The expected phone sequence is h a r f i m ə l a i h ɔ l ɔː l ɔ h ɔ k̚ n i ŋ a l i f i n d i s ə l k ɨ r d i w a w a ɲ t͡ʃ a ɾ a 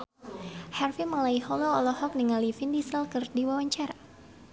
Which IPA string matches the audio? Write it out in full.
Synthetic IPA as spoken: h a r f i m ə l a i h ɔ l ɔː l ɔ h ɔ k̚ n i ŋ a l i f i n d i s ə l k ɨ r d i w a w a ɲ t͡ʃ a ɾ a

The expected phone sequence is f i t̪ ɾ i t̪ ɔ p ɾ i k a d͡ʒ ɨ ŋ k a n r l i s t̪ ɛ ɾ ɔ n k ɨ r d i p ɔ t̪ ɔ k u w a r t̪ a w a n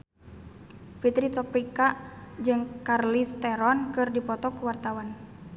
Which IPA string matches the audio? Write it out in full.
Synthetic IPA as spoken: f i t̪ ɾ i t̪ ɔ p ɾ i k a d͡ʒ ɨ ŋ k a r l i s t̪ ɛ ɾ ɔ n k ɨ r d i p ɔ t̪ ɔ k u w a r t̪ a w a n

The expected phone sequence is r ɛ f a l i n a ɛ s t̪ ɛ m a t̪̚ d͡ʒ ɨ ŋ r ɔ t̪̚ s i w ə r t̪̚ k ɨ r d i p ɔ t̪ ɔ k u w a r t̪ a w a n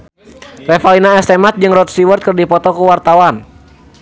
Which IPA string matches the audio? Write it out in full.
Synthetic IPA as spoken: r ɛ f a l i n a ɛ s t̪ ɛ m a t̪̚ d͡ʒ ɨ ŋ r ɔ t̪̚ s i w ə r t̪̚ k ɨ r d i p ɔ t̪ ɔ k u w a r t̪ a w a n

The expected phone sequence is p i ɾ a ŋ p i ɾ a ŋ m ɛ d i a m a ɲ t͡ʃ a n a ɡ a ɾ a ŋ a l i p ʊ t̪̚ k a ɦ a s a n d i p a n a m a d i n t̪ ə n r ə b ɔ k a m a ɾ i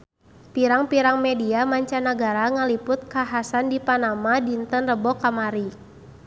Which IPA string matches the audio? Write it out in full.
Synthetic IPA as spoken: p i ɾ a ŋ p i ɾ a ŋ m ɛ d i a m a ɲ t͡ʃ a n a ɡ a ɾ a ŋ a l i p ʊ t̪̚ k a ɦ a s a n d i p a n a m a d i n t̪ ə n r ə b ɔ k a m a ɾ i

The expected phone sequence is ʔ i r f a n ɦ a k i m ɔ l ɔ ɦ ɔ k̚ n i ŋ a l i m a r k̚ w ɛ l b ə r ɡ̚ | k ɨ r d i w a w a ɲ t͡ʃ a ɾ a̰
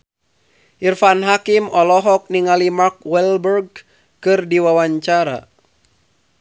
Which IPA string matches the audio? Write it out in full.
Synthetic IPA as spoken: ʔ i r f a n ɦ a k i m ɔ l ɔ ɦ ɔ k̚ n i ŋ a l i m a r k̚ w ɛ l b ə r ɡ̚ | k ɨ r d i w a w a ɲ t͡ʃ a ɾ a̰

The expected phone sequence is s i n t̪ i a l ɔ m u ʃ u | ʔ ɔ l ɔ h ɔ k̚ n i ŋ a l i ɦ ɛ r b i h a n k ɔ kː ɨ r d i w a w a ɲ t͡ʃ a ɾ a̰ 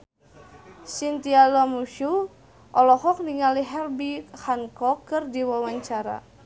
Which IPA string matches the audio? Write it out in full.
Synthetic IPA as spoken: s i n t̪ i a l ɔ m u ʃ u | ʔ ɔ l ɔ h ɔ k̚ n i ŋ a l i ɦ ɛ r b i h a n k ɔ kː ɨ r d i w a w a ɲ t͡ʃ a ɾ a̰

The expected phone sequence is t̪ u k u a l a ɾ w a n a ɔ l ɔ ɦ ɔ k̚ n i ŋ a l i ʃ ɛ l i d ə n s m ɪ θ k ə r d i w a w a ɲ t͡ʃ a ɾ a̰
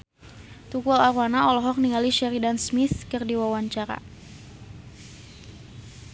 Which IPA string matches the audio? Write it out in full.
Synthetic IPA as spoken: t̪ u k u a l a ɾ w a n a ɔ l ɔ ɦ ɔ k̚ n i ŋ a l i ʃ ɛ ɾ i d a n s m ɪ θ k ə r d i w a w a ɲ t͡ʃ a ɾ a̰

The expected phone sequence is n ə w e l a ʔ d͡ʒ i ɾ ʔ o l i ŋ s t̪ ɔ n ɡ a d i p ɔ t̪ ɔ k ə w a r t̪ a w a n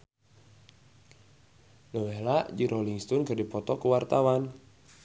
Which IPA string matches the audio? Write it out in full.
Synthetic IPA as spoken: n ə w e l a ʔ d͡ʒ i ɾ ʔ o l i ŋ s t̪ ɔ n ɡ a d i p ɔ t̪ ɔ k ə w a r t̪ a w a n

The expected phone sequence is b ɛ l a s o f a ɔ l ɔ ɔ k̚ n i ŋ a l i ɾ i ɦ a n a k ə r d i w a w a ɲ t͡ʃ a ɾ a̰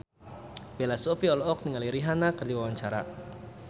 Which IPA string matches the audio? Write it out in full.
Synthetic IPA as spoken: b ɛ l a s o f i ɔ l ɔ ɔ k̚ n i ŋ a l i ɾ i ɦ a n a k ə r d i w a w a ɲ t͡ʃ a ɾ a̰

